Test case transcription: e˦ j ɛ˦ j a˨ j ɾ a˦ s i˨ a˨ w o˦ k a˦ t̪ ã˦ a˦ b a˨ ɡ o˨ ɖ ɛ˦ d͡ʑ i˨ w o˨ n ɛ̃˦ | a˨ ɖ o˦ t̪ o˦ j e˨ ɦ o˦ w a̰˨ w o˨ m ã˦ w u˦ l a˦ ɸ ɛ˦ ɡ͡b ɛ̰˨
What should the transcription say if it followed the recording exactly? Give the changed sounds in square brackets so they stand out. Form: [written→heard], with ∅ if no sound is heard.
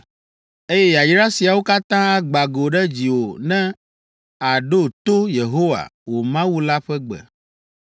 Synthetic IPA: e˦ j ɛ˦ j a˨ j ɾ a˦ s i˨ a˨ w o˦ k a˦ t̪ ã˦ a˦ [b→ɡ͡b] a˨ ɡ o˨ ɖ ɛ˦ d͡ʑ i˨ w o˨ n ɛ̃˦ | a˨ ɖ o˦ t̪ o˦ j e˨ ɦ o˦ w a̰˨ w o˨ m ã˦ w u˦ l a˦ ɸ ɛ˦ ɡ͡b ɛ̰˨